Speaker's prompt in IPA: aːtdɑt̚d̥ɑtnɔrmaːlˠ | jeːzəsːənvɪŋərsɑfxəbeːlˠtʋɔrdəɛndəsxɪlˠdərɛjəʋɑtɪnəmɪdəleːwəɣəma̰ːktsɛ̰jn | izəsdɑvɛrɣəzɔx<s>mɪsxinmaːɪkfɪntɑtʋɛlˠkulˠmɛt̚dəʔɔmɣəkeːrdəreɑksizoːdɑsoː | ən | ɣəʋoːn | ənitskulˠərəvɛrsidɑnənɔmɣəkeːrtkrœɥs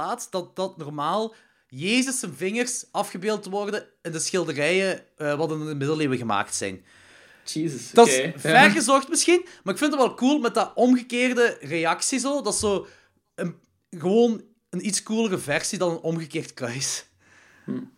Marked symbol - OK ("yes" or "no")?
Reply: no